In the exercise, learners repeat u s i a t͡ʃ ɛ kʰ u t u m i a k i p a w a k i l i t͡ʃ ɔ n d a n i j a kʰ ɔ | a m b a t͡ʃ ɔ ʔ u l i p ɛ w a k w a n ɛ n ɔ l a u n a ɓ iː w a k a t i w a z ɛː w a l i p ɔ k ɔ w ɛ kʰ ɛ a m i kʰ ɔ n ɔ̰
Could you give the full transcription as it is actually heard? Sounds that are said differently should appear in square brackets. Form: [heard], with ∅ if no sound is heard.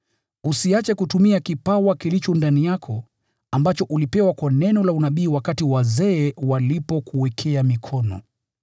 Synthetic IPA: u s i a t͡ʃ ɛ [k] u t u m i a k i p a w a k i l i t͡ʃ ɔ n d a n i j a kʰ ɔ | a m b a t͡ʃ ɔ ʔ u l i p ɛ w a k w a n ɛ n ɔ l a u n a ɓ iː w a k a t i w a z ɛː w a l i p ɔ k [u] w ɛ kʰ ɛ a m i kʰ ɔ n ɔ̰